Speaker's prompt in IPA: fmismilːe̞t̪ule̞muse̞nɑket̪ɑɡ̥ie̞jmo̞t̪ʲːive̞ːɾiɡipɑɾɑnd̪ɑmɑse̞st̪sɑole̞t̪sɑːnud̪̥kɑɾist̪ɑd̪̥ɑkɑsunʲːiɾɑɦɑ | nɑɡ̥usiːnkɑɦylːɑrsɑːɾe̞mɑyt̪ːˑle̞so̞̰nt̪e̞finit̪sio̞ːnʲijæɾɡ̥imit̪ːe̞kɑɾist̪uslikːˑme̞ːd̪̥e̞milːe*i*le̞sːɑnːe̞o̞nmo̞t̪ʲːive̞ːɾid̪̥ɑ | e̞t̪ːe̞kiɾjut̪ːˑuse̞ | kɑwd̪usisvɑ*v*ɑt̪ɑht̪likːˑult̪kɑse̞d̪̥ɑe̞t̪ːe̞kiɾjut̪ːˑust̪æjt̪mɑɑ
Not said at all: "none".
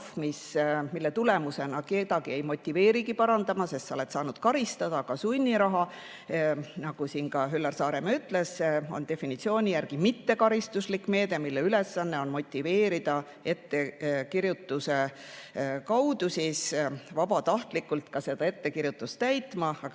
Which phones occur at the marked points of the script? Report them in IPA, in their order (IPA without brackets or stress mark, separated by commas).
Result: y, b